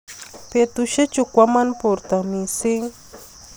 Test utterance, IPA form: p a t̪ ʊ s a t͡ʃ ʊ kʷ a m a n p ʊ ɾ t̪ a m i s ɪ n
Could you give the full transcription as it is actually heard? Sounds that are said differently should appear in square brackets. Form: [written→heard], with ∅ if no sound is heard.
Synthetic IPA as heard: p [a→e] t̪ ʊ [s→ʃ] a t͡ʃ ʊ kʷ a m a n p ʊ ɾ t̪ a m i s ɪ [n→ŋ]